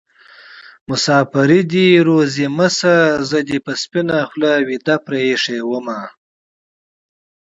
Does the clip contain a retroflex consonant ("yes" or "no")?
yes